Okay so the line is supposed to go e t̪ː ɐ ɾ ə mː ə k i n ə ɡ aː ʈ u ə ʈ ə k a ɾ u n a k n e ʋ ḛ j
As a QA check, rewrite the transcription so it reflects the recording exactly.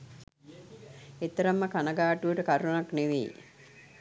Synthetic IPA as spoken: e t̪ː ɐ ɾ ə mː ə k a n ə ɡ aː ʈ u ə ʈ ə k a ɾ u n a k n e ʋ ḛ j

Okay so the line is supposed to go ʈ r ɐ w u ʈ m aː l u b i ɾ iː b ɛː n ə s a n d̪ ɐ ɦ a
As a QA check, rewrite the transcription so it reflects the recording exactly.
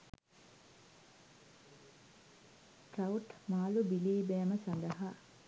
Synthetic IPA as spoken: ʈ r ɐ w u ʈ m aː l u b i l iː b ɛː m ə s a n d̪ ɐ ɦ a

